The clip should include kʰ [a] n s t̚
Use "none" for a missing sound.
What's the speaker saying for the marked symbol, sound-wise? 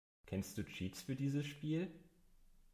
ɛ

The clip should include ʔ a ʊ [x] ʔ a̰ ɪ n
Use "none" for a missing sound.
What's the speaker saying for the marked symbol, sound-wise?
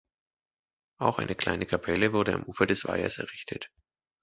x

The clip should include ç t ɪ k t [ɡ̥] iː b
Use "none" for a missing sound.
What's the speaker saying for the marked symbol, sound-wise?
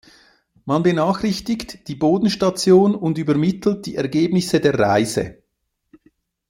d̥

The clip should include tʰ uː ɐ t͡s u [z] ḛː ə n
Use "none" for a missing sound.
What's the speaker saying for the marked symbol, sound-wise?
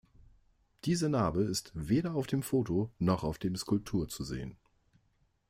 z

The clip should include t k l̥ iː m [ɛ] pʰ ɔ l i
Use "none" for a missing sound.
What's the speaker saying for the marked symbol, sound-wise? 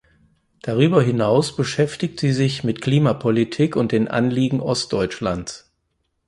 a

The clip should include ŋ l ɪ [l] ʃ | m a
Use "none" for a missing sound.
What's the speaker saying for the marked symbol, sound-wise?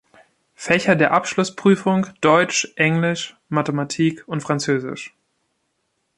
none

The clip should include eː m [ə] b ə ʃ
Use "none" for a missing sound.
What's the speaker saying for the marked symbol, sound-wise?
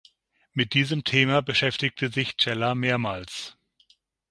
a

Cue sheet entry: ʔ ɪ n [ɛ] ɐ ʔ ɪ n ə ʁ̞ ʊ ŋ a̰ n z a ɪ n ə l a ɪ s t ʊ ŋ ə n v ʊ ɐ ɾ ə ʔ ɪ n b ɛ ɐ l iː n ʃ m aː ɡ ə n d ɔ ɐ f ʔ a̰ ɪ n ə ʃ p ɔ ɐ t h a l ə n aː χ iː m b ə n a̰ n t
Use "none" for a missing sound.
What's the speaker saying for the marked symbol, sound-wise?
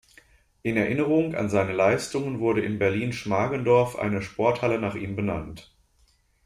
ɛ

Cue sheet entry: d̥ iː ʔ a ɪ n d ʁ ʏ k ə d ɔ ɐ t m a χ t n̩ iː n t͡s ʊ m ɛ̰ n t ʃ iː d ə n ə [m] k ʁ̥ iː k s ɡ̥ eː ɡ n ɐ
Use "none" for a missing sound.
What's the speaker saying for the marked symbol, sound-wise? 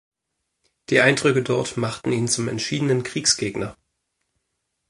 n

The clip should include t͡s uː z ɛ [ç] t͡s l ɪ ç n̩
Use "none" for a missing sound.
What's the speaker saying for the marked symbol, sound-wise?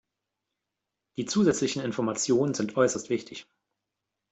none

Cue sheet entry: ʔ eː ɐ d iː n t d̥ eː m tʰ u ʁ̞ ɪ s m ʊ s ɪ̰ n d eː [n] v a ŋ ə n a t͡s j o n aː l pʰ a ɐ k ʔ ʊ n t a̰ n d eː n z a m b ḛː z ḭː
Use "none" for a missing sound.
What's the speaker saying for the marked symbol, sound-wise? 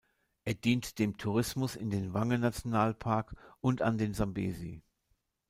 n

